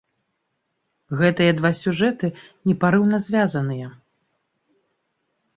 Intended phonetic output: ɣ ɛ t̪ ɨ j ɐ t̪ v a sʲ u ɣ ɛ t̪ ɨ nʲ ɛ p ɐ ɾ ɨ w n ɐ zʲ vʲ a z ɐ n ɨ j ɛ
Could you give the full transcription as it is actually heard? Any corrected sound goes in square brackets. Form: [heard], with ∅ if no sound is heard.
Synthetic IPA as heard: ɣ ɛ t̪ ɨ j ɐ [d̪] v a sʲ u [ʐ] ɛ t̪ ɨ nʲ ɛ p [a] ɾ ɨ w n ɐ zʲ vʲ a z ɐ n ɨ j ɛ